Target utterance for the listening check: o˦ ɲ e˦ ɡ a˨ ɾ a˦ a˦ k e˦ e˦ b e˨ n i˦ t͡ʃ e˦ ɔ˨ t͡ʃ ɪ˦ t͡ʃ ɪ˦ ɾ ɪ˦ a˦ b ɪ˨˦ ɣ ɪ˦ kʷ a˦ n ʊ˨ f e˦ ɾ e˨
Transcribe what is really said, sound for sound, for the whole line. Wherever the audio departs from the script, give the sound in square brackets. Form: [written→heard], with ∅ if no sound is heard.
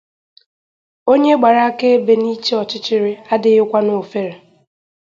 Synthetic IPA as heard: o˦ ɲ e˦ [ɡ→ɡ͡b] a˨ ɾ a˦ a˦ k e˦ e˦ b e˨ n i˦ t͡ʃ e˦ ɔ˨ t͡ʃ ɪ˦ t͡ʃ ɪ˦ ɾ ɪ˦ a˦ [b→d] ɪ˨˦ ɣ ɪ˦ kʷ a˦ n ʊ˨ f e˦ ɾ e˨